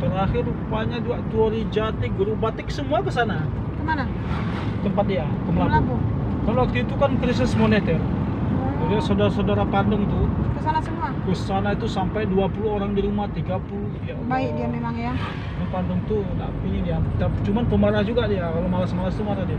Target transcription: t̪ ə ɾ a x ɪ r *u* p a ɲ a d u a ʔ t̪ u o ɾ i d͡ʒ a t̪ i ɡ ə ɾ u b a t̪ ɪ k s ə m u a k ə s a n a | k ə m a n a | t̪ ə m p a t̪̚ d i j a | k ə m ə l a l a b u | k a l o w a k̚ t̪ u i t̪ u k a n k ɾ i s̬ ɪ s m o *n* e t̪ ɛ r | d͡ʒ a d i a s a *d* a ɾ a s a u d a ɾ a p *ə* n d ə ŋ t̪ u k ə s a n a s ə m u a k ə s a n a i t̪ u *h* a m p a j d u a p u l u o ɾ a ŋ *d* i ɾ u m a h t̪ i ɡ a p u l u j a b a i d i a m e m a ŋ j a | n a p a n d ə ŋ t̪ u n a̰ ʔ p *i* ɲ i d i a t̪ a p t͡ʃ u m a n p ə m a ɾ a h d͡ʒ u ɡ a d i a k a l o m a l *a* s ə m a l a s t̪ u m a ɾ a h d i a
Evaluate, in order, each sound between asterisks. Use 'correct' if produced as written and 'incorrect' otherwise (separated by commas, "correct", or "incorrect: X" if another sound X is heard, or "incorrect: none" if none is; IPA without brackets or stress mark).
correct, correct, correct, incorrect: a, incorrect: s, correct, correct, correct